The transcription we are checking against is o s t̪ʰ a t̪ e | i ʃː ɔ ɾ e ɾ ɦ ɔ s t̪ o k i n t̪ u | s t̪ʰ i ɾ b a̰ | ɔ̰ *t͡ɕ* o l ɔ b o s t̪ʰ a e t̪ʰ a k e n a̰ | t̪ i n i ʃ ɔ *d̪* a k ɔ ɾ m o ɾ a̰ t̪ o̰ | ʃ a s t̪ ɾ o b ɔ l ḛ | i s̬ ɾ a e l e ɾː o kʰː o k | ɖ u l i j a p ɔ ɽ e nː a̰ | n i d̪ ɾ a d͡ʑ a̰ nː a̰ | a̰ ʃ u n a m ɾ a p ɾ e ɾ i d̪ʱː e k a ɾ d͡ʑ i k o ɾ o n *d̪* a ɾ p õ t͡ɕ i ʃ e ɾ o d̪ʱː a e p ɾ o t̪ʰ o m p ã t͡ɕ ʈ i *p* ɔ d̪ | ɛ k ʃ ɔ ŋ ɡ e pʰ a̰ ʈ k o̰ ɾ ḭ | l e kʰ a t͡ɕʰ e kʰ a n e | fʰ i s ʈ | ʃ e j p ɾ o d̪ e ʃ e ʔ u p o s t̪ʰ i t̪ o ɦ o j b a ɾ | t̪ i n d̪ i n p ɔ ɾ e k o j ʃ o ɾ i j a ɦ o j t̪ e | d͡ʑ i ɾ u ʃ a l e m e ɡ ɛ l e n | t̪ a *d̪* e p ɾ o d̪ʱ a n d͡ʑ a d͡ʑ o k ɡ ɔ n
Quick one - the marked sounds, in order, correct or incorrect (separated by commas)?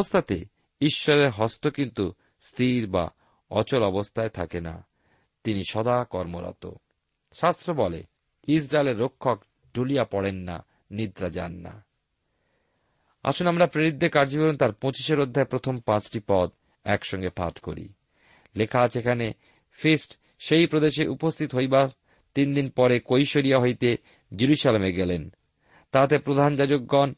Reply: correct, correct, incorrect, correct, incorrect